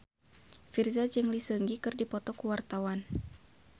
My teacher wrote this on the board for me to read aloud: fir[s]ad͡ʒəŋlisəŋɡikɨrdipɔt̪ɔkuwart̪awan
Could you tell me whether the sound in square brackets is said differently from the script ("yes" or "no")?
yes